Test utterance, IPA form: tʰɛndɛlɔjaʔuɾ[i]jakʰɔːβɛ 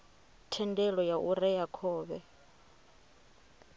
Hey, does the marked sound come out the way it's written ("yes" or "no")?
no